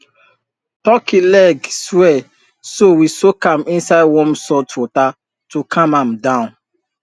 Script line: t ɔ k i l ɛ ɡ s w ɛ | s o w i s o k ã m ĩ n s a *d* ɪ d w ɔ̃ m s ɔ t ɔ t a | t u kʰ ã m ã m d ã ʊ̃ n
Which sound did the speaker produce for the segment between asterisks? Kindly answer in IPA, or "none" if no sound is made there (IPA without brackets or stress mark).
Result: none